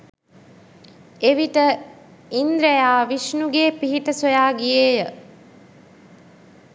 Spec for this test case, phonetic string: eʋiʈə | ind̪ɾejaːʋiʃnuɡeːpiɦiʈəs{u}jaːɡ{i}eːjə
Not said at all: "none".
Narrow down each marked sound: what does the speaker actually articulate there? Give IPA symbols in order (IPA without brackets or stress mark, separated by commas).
o, i